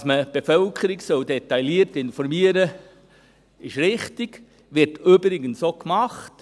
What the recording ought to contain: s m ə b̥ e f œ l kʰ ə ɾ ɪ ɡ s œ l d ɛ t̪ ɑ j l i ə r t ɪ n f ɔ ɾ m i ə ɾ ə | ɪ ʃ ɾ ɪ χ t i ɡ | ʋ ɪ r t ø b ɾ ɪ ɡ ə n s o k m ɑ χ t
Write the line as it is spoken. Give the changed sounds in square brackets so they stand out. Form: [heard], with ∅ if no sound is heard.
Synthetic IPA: s m ə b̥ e f œ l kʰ ə ɾ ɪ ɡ s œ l d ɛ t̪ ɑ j l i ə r t ɪ n f ɔ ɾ m i ə ɾ ə | ɪ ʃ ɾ ɪ χ t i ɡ | ʋ ɪ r t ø b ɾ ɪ ɡ ə n s o k m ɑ χ t